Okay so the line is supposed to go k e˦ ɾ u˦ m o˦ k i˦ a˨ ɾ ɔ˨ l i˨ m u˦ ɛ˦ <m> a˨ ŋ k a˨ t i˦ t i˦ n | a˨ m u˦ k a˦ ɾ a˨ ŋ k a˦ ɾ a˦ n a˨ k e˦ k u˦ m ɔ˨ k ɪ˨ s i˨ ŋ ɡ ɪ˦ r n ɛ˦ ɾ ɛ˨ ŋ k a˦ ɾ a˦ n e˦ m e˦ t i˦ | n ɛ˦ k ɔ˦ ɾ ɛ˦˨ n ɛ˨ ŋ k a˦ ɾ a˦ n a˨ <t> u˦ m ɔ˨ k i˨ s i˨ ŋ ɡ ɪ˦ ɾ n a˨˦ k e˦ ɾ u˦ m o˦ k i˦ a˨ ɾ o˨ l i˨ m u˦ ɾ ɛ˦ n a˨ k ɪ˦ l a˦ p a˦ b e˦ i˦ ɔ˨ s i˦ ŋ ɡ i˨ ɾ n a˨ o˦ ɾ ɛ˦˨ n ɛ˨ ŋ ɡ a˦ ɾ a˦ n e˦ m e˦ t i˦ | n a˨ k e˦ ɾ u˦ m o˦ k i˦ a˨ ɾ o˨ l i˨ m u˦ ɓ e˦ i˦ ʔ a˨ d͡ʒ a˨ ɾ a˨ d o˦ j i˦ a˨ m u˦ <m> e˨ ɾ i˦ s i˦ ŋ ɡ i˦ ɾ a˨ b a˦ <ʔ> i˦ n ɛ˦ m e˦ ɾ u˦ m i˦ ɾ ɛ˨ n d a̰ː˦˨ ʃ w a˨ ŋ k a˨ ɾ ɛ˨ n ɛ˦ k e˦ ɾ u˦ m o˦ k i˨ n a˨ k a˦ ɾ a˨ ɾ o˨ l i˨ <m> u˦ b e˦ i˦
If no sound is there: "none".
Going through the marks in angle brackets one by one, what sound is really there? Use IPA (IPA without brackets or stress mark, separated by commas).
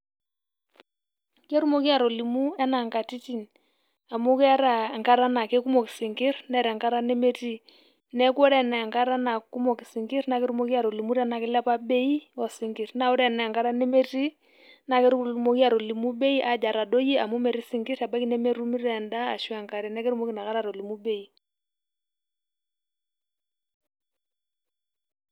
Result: n, k, m, k, m